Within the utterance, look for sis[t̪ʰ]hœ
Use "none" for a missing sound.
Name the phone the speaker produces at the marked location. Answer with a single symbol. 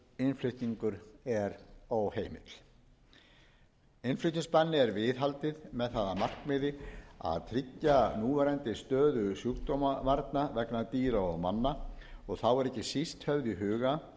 t̪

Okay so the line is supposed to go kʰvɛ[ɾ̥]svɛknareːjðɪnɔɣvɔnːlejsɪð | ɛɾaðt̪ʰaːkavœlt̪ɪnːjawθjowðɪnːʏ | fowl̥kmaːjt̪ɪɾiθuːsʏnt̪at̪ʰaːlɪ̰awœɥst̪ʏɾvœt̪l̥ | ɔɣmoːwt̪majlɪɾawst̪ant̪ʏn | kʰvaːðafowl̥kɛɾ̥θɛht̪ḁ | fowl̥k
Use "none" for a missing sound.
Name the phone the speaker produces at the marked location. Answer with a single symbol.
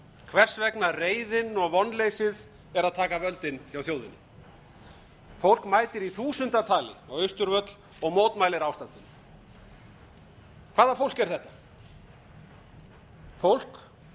r̥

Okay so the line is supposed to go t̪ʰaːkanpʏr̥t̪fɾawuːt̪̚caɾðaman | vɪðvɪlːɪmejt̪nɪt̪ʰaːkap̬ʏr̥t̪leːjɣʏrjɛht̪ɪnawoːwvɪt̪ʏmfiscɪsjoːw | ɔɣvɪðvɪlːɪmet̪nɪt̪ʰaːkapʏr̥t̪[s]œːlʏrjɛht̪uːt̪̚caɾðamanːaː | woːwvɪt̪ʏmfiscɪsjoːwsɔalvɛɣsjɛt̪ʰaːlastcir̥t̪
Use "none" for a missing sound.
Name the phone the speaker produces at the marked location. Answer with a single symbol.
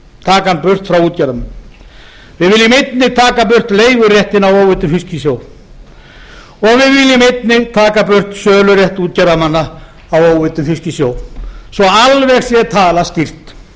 s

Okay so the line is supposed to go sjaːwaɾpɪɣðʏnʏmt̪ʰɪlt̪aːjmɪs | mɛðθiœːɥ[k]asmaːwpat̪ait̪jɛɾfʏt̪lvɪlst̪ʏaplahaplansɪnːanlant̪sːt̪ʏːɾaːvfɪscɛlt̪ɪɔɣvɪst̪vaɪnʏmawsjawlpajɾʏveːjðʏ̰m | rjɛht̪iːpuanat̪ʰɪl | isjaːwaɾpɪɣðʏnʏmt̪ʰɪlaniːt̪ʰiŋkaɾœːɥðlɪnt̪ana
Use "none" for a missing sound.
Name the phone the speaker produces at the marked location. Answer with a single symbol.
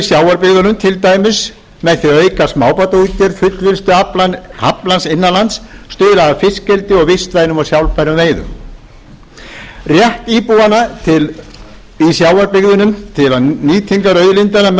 k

